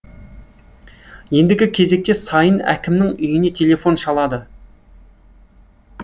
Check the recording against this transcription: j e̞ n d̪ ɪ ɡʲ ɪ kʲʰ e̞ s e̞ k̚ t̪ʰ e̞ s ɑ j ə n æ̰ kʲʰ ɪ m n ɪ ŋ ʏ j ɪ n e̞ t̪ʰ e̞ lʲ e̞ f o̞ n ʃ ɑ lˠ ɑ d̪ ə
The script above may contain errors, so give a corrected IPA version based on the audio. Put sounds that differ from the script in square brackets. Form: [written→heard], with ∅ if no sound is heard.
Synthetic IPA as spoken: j e̞ n d̪ ɪ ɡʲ ɪ kʲʰ e̞ [s→z] e̞ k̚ [t̪ʰ→t̪] e̞ s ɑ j ə n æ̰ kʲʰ ɪ m n ɪ ŋ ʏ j ɪ n e̞ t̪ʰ e̞ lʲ e̞ f o̞ n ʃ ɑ lˠ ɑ d̪ ə